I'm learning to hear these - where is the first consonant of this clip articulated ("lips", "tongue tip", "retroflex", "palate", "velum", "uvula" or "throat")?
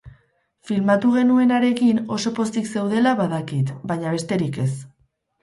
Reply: lips